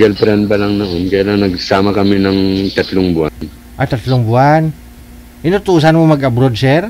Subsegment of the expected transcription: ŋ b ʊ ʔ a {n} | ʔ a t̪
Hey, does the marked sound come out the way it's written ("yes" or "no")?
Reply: yes